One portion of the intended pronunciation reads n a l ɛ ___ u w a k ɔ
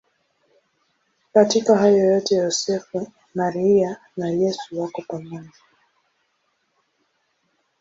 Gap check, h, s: s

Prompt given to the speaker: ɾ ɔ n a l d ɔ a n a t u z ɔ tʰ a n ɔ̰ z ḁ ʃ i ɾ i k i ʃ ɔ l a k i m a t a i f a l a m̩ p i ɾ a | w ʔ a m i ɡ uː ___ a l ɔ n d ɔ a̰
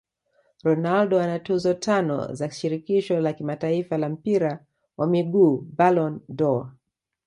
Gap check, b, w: b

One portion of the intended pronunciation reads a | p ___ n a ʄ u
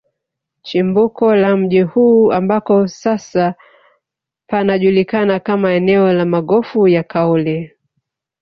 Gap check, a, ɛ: a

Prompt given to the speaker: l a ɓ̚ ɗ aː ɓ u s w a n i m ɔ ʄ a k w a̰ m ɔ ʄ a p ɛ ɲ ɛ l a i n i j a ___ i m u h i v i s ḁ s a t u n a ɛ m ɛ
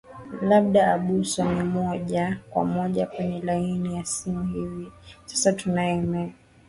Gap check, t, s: s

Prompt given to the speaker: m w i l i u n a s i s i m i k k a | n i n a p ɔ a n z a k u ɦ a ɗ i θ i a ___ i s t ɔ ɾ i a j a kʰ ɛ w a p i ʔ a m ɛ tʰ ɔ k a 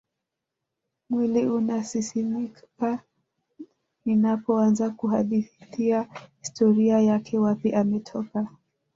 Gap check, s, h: h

